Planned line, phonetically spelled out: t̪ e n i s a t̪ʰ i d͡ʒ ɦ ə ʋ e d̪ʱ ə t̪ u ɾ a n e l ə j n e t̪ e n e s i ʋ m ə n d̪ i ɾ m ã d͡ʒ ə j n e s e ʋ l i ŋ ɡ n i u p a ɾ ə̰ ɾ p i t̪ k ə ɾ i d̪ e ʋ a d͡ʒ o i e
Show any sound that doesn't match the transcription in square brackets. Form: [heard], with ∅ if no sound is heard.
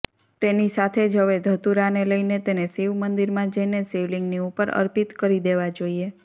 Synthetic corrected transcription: t̪ e n i s a t̪ʰ [e] d͡ʒ ɦ ə ʋ e d̪ʱ ə t̪ u ɾ a n e l ə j n e t̪ e n e s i ʋ m ə n d̪ i ɾ m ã d͡ʒ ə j n e s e ʋ l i ŋ ɡ n i u p [ə] ɾ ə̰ ɾ p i t̪ k ə ɾ i d̪ e ʋ a d͡ʒ o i e